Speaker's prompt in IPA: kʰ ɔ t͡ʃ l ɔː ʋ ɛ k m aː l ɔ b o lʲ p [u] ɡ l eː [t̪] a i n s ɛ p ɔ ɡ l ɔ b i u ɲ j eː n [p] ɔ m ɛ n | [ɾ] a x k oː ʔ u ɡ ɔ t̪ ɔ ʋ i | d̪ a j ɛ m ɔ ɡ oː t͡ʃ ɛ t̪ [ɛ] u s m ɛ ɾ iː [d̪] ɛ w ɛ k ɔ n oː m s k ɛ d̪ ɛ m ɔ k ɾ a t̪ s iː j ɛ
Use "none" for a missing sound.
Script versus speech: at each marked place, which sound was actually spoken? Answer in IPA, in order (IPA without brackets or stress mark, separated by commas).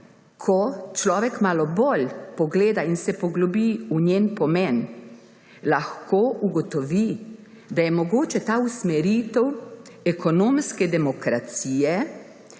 ɔ, d̪, p, l, a, t̪